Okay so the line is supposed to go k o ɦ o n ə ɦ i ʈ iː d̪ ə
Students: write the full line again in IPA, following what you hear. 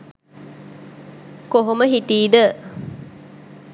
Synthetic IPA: k o ɦ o m ə ɦ i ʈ iː d̪ ə